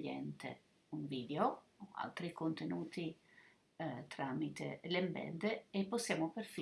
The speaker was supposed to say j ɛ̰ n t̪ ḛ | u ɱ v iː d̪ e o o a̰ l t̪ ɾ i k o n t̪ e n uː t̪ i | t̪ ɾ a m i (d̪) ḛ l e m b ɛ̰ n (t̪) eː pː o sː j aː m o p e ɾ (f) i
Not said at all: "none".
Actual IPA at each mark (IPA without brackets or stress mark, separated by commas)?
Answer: t̪, d̪, f